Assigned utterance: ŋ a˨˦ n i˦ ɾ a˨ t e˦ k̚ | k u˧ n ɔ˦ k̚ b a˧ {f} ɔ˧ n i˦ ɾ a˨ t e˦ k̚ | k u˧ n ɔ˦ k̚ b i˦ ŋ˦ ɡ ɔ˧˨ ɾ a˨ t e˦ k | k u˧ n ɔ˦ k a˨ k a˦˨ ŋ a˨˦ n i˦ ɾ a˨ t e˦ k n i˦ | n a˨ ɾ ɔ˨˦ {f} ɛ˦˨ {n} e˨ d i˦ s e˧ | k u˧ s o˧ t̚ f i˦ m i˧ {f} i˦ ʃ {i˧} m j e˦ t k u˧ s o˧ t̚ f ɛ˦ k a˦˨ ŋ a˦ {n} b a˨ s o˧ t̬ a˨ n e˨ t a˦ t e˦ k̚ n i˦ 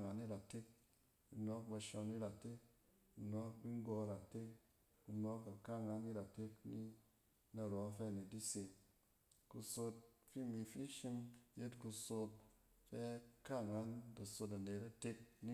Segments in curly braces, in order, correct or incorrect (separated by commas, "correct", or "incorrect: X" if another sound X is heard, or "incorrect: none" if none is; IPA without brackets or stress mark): incorrect: ʃ, correct, correct, correct, correct, correct